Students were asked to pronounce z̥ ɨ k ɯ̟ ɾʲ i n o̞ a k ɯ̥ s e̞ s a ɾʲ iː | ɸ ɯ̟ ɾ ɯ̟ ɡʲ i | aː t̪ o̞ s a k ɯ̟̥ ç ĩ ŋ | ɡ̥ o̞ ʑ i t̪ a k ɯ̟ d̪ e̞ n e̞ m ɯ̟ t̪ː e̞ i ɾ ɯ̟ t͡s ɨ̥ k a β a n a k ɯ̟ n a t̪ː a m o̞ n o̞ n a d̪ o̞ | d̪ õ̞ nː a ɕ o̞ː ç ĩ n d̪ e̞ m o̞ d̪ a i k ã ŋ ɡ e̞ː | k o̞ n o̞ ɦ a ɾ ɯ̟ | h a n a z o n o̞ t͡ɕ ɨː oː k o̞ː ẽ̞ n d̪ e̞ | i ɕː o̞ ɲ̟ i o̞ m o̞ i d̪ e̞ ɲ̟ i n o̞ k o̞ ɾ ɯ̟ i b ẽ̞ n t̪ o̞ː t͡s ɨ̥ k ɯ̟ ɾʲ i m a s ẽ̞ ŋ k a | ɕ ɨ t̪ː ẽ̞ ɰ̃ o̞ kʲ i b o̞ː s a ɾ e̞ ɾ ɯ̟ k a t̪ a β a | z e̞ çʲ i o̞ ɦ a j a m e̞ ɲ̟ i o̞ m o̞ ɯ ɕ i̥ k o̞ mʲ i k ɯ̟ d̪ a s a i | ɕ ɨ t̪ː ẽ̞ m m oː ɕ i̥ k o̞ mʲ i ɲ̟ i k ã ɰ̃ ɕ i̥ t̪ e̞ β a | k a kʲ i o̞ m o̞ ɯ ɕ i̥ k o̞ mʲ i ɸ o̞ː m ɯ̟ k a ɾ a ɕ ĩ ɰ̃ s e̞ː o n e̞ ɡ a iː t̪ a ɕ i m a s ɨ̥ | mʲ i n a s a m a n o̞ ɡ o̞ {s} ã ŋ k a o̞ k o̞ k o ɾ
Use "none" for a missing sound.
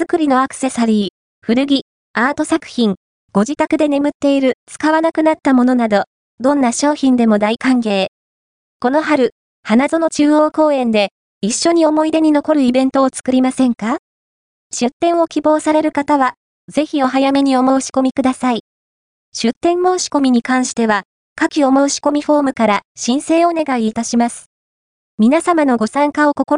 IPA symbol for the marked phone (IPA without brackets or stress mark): s